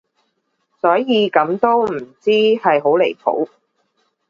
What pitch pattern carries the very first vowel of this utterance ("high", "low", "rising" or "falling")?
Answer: rising